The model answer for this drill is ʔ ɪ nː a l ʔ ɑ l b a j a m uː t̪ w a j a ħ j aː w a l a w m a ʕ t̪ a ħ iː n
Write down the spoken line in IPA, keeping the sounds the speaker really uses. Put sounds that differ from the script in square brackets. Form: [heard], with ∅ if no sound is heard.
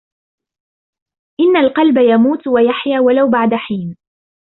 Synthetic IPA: ʔ ɪ nː a l [q] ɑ l b a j a m uː t̪ w a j a ħ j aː w a l a w [b] a ʕ [d̪] a ħ iː n

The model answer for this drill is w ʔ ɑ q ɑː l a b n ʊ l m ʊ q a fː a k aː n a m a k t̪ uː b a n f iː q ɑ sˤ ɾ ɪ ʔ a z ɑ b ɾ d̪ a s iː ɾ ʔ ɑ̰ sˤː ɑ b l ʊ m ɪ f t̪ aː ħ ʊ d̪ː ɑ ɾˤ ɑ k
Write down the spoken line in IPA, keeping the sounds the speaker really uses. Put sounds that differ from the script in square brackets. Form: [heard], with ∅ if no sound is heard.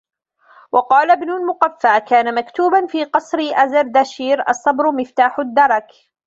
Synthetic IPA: w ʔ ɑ q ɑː l a b n ʊ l m ʊ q a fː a k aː n a m a k t̪ uː b a n f iː q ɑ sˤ ɾ ɪ ʔ a z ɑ [∅] ɾ d̪ a [ʃ] iː ɾ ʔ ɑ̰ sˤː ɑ b [ɾ] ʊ m ɪ f t̪ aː ħ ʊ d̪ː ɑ ɾˤ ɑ k

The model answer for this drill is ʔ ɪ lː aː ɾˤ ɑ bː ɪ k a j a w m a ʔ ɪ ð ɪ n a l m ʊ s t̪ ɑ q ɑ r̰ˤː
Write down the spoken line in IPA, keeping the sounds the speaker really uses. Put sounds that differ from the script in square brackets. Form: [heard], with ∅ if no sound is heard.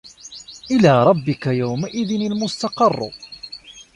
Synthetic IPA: ʔ ɪ [l] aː ɾˤ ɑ bː ɪ k a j a w m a ʔ ɪ ð ɪ n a l m ʊ s t̪ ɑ q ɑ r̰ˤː

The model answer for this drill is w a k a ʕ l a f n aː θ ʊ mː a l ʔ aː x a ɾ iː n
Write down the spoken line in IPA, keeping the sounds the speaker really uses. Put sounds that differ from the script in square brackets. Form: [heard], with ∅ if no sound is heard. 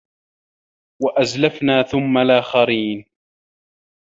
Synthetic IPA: w a [ʔ] a [z] l a f n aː θ ʊ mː a l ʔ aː x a ɾ iː n

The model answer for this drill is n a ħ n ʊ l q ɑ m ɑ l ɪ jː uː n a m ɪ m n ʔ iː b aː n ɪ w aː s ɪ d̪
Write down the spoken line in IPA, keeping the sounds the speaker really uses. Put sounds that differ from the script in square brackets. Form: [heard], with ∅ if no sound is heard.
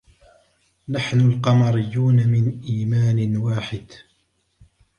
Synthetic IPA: n a ħ n ʊ l q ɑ m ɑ [ɾ] ɪ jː uː n a m ɪ [∅] n ʔ iː [m] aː n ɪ w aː [ħ] ɪ d̪

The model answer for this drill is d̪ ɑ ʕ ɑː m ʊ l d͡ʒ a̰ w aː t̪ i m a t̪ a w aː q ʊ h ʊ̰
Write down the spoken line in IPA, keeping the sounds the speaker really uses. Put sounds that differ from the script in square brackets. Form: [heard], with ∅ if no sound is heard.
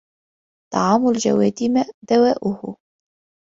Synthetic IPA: [t̪] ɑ ʕ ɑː m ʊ l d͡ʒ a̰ w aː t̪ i m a [d̪] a w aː [ʔ] ʊ h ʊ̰

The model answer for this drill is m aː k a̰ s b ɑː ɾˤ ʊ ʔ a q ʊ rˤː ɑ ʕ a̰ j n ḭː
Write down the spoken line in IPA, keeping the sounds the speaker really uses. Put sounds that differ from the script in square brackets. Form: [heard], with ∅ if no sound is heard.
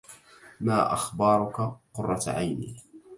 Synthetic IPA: m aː [ʔ] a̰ [x] b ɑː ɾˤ ʊ [k] a q ʊ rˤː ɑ ʕ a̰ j n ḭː

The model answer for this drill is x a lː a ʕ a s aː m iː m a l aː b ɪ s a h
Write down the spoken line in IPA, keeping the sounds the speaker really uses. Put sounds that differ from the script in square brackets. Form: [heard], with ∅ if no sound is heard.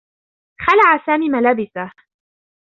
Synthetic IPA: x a [l] a ʕ a s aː m iː m a l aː b ɪ s a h

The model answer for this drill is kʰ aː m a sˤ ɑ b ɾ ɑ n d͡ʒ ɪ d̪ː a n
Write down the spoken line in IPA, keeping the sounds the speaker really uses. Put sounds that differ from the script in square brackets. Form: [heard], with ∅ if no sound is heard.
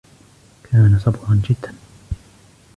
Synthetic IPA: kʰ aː [n] a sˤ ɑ b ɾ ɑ n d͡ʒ ɪ d̪ː a n

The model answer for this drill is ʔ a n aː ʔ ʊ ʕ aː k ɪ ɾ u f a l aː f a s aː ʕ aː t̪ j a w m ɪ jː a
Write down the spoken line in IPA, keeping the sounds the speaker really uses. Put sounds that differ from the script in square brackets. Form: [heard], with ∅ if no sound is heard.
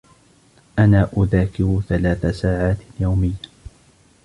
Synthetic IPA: ʔ a n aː ʔ ʊ [ð] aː k ɪ ɾ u [θ] a l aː [θ] a s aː ʕ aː t̪ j a w m ɪ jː a

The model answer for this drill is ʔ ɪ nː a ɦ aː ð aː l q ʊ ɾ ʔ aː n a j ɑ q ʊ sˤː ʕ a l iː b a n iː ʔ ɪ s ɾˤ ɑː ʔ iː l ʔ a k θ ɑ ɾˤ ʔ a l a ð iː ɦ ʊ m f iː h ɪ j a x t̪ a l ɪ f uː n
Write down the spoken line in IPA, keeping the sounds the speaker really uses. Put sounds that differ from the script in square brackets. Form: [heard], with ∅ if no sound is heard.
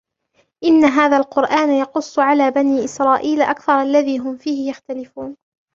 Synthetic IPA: ʔ ɪ nː a ɦ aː ð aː l q ʊ ɾ ʔ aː n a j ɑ q ʊ sˤː ʕ a l [aː] b a n iː ʔ ɪ s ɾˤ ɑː ʔ iː l ʔ a k θ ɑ ɾˤ ʔ a [lː] a ð iː ɦ ʊ m f iː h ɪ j a x t̪ a l ɪ f uː n

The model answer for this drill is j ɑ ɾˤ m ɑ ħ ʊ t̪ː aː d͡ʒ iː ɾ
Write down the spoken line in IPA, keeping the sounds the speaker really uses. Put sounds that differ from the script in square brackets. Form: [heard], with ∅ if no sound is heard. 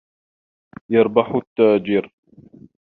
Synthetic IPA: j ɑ ɾˤ [b] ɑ ħ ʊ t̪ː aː d͡ʒ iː ɾ

